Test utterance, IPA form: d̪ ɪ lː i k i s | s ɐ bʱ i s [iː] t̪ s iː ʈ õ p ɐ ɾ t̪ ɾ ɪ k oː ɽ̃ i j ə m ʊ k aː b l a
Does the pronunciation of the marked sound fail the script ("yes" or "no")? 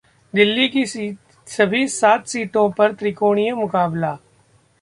yes